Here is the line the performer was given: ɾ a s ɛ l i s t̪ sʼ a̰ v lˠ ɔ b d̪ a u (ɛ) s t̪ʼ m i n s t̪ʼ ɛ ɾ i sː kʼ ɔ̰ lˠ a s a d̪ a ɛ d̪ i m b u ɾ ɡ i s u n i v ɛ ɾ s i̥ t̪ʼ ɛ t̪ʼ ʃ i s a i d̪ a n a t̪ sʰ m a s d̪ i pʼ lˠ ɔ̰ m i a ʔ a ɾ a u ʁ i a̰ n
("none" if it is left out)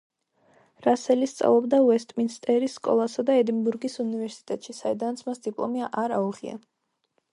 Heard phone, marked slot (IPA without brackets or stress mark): ɛ